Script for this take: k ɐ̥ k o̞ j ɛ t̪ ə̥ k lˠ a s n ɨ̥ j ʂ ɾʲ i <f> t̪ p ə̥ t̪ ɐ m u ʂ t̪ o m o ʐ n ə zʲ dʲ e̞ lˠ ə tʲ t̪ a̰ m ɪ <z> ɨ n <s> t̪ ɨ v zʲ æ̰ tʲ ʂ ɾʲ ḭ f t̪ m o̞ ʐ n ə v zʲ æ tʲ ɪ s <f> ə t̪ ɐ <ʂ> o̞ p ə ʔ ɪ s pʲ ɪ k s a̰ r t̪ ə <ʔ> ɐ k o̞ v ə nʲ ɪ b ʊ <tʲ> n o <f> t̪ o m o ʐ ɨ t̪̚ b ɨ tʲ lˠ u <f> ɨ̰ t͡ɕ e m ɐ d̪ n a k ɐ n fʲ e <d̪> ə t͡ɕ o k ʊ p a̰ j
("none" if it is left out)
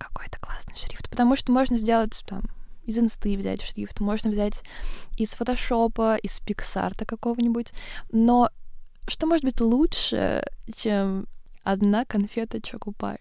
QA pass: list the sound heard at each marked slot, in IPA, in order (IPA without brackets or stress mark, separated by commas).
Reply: f, z, s, f, ʂ, k, tʲ, ʂ, ʂ, t̪